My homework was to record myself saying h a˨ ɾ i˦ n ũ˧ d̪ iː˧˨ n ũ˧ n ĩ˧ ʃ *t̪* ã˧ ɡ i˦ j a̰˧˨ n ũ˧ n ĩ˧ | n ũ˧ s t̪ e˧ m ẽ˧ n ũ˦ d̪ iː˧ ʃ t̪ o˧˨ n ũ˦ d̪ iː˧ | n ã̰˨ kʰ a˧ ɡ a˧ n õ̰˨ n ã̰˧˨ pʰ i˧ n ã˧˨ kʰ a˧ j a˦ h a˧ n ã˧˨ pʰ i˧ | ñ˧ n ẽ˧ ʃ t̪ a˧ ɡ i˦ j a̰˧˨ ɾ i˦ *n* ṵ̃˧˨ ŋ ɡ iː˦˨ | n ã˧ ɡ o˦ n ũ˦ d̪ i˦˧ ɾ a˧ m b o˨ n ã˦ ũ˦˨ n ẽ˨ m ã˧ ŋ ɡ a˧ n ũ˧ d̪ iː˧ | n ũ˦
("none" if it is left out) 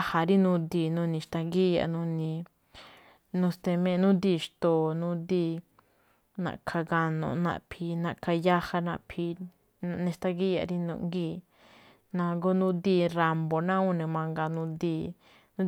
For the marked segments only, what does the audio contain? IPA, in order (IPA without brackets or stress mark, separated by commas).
t̪, n